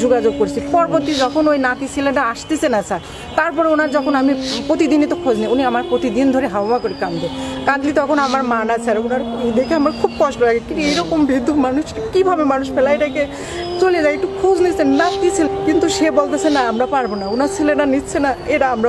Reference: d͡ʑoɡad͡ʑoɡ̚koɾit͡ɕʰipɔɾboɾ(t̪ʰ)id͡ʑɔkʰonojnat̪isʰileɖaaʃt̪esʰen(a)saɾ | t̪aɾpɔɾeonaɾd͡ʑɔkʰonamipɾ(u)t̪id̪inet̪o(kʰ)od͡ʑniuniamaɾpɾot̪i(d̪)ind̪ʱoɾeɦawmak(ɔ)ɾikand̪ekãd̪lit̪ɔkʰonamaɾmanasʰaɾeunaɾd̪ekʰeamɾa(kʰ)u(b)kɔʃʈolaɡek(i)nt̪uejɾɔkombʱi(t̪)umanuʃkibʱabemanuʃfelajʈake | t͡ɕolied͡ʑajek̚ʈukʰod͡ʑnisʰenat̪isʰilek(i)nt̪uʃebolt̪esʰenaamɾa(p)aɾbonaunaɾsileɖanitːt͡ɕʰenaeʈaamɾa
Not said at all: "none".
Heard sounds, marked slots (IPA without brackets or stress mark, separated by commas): t̪, a, o, kʰ, d̪, o, kʰ, b, i, d̪, i, p